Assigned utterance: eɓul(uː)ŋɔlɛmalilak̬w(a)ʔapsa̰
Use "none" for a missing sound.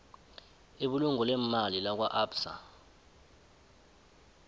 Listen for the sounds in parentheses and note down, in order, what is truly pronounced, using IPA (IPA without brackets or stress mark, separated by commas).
u, a